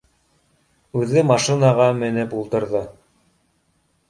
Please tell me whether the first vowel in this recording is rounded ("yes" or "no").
yes